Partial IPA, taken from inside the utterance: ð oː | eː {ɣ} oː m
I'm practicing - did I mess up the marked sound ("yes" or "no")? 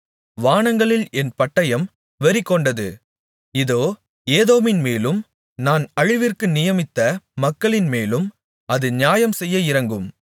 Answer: yes